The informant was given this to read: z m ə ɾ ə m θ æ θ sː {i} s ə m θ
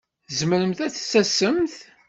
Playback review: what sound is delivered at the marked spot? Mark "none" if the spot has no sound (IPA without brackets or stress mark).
æ